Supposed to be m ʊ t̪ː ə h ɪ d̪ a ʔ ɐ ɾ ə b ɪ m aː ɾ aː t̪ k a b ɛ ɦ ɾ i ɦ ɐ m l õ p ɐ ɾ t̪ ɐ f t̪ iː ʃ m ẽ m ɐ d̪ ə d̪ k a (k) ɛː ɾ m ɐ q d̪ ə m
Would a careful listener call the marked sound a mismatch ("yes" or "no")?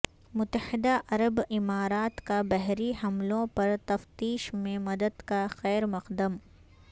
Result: yes